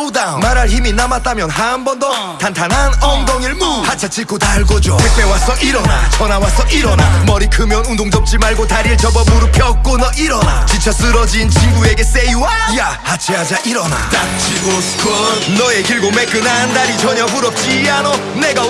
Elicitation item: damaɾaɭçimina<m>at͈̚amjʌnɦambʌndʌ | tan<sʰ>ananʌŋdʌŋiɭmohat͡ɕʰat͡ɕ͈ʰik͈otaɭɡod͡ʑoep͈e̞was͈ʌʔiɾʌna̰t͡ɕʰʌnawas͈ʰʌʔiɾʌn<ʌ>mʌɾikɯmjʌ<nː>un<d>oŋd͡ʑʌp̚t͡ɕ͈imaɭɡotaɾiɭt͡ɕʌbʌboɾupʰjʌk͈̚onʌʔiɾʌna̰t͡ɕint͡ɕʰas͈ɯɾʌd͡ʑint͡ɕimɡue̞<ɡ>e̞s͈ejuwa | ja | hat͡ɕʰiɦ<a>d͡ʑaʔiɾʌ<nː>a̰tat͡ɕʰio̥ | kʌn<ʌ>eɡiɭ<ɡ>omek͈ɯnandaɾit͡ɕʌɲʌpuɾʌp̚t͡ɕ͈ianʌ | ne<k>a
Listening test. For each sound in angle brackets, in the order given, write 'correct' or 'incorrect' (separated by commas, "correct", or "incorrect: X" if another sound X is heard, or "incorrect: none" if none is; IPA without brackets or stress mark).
correct, incorrect: tʰ, incorrect: a, incorrect: n, correct, correct, correct, incorrect: n, correct, correct, incorrect: ɡ